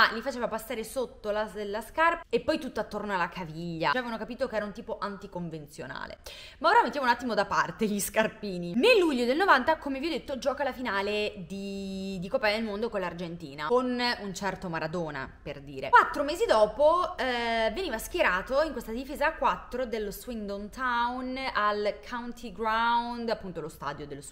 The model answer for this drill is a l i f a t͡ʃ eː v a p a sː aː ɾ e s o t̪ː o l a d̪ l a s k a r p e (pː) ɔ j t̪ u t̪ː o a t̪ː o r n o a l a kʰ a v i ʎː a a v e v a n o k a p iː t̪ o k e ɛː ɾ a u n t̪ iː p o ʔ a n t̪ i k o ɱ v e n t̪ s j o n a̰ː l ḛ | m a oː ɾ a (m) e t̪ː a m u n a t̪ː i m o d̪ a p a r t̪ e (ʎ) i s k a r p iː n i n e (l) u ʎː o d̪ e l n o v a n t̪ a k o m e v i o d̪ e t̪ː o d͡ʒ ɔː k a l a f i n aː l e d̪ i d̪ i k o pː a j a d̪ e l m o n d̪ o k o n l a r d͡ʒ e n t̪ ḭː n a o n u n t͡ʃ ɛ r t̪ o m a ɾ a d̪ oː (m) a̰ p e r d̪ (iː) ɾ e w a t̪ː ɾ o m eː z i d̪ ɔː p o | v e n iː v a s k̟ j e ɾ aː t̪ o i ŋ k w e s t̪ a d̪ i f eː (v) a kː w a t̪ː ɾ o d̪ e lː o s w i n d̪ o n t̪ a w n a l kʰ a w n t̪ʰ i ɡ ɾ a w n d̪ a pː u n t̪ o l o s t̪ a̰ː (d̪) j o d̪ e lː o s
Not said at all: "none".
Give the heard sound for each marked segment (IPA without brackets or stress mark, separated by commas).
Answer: pː, m, ʎ, lː, n, iː, z, d̪